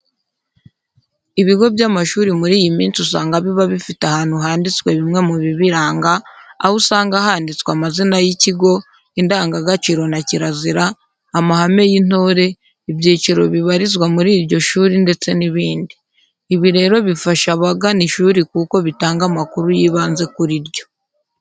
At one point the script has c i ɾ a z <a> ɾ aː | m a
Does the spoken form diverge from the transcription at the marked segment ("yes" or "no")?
yes